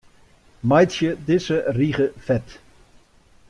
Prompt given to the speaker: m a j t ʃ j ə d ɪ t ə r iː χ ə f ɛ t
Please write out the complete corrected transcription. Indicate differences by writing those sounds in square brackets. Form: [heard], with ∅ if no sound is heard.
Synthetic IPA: m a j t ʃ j ə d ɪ [s] ə r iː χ ə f ɛ t